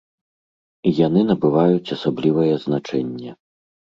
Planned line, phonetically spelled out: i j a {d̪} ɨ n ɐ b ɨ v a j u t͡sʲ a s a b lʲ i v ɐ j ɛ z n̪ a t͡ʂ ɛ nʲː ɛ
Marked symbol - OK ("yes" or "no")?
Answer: no